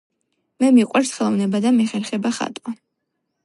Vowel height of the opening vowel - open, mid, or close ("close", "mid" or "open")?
mid